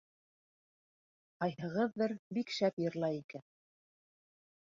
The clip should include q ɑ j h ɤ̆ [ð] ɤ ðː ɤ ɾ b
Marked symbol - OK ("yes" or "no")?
no